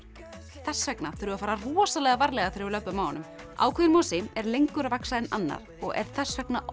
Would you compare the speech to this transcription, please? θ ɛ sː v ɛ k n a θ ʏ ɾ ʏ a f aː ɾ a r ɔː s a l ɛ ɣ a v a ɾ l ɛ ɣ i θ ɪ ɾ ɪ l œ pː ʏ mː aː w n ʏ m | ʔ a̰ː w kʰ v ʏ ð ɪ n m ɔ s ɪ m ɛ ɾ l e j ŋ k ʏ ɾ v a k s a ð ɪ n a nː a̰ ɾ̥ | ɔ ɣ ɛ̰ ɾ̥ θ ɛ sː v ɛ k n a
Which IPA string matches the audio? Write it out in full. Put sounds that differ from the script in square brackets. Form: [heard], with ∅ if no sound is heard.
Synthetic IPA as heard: θ ɛ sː v ɛ k n a θ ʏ ɾ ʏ a f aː ɾ a r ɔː s a l ɛ ɣ a v a ɾ l ɛ ɣ [a] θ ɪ ɾ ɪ l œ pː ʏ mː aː w n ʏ m | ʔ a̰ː w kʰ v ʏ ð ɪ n m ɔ s ɪ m ɛ ɾ l e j ŋ k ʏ ɾ v a k s a ð ɪ n a nː a̰ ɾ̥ | ɔ ɣ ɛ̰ ɾ̥ θ ɛ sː v ɛ k n a